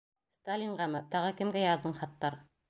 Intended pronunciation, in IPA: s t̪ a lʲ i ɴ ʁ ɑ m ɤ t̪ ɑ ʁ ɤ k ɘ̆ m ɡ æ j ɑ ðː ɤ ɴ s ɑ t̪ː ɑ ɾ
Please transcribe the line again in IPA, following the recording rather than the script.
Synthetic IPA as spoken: s t̪ a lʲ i ɴ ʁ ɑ m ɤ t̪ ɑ ʁ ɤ k ɘ̆ m ɡ æ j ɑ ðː ɤ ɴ χ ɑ t̪ː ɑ ɾ